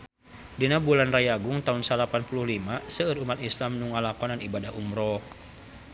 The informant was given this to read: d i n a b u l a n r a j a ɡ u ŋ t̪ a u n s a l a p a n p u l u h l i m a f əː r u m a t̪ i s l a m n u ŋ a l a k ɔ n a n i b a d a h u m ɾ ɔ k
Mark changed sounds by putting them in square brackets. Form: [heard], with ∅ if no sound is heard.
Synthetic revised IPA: d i n a b u l a n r a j a ɡ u ŋ t̪ a u n s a l a p a n p u l u h l i m a [s] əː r u m a t̪ i s l a m n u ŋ a l a k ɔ n a n i b a d a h u m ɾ ɔ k